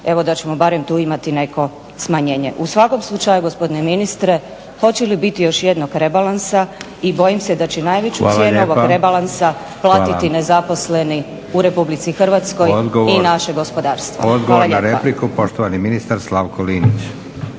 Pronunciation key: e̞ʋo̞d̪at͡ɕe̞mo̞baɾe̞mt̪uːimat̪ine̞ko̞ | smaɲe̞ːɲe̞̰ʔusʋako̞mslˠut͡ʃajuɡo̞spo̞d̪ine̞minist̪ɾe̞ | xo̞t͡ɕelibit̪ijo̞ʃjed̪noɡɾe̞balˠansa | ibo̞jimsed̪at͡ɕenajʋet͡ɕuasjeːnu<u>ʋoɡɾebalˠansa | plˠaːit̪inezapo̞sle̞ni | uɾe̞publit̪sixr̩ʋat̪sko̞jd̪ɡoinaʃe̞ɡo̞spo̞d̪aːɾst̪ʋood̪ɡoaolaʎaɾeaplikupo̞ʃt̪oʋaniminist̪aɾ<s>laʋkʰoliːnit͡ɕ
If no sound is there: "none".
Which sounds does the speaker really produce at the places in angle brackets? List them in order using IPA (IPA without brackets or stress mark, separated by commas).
o, s